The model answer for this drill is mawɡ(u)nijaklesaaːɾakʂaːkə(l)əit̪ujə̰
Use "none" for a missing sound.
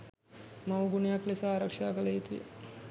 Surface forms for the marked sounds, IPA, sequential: u, l

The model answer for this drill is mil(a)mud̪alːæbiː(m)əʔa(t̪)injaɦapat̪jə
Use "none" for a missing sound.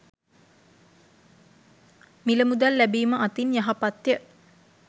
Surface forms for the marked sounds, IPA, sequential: ə, m, t̪

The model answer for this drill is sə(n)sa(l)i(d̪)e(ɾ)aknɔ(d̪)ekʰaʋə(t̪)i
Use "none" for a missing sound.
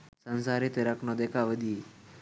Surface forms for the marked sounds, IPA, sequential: n, ɾ, t̪, ɾ, d̪, d̪

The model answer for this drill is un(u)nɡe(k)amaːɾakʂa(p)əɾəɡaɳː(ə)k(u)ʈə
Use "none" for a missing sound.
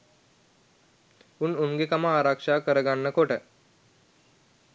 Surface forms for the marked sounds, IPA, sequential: u, k, k, ə, o

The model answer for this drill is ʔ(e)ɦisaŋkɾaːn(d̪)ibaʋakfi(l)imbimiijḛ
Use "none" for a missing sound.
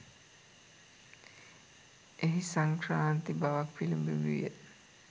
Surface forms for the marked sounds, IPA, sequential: e, t̪, l

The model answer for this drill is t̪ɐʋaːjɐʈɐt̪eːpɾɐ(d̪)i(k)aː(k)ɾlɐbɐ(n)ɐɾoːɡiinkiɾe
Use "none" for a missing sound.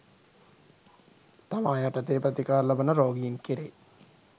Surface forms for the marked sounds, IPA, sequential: t̪, k, none, n

